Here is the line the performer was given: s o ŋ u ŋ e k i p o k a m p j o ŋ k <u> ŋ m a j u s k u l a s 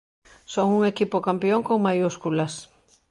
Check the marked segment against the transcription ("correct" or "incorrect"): incorrect